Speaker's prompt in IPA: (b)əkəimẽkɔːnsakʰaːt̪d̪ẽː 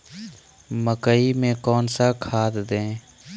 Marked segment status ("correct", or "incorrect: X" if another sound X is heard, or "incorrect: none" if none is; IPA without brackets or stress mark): incorrect: m